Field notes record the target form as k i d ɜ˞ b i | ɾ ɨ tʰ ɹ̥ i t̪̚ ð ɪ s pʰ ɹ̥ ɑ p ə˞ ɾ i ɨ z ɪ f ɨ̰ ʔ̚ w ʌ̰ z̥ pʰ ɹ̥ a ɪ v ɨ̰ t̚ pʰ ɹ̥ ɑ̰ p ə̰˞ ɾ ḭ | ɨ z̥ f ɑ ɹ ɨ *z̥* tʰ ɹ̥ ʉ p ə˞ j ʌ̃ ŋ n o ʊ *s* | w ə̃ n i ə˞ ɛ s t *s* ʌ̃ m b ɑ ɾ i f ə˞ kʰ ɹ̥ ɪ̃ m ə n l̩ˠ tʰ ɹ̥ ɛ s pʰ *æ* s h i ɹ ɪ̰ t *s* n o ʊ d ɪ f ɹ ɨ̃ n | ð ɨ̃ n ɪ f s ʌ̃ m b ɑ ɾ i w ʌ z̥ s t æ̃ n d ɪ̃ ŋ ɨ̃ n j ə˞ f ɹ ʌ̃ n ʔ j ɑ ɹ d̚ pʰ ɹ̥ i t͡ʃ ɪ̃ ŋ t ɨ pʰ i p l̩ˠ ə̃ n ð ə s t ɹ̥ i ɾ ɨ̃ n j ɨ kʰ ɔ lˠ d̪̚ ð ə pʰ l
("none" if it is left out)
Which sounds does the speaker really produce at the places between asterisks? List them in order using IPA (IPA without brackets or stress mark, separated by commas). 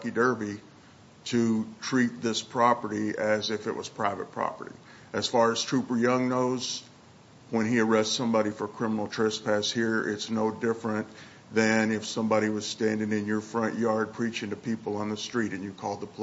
z̥, z, s, æ, s